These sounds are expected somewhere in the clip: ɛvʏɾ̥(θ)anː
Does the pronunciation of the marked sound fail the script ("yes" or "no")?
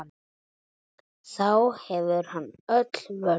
yes